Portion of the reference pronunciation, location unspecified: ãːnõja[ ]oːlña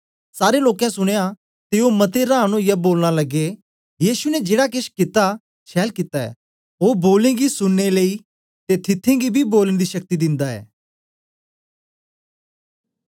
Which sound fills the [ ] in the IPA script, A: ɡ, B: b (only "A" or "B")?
B